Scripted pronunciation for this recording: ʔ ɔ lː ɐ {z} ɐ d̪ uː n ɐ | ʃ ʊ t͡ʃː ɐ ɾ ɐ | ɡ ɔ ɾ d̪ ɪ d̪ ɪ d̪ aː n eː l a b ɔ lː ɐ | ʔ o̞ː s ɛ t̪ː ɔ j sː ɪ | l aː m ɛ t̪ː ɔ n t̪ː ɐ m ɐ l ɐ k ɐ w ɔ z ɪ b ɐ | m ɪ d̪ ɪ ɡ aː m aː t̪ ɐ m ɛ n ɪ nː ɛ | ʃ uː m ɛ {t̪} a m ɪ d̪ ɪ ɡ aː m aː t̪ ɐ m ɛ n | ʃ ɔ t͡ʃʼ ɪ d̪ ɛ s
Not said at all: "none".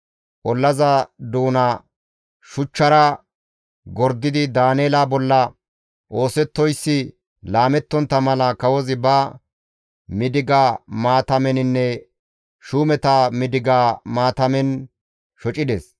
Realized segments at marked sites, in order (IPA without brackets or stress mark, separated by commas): z, t̪